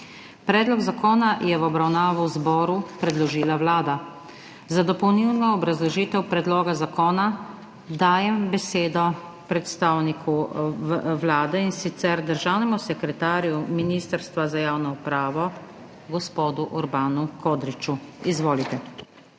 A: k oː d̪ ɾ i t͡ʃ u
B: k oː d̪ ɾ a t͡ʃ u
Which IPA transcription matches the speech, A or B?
A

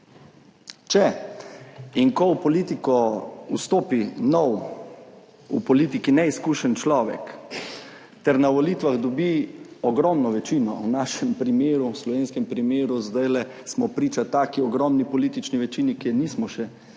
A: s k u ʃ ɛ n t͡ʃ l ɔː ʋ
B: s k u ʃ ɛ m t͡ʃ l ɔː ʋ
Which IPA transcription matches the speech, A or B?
A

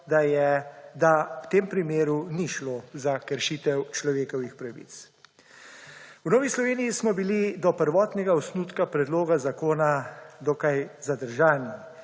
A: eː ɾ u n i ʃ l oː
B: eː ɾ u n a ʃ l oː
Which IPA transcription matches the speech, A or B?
A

